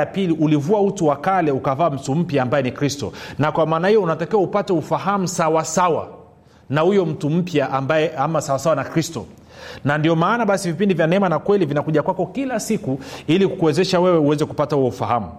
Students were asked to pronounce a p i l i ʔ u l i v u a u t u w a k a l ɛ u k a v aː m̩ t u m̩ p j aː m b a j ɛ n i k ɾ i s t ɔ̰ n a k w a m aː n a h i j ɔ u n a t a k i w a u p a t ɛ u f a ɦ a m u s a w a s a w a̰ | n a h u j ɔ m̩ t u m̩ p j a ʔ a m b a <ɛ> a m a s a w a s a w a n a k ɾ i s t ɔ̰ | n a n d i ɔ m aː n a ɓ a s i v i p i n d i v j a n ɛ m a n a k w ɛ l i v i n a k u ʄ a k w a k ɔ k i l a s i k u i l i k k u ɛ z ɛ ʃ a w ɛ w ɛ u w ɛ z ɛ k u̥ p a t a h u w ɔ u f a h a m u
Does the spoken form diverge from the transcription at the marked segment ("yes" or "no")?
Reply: no